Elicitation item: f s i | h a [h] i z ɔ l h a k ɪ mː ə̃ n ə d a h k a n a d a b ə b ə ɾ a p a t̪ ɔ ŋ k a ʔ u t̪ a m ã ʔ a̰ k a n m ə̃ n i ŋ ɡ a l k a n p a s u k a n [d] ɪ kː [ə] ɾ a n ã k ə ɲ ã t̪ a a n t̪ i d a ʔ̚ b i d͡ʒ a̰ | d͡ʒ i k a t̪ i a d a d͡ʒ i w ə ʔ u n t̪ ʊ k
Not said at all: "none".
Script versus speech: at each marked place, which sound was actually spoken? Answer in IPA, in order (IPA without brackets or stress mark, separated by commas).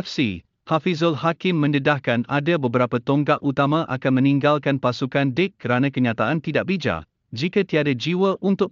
f, d, ə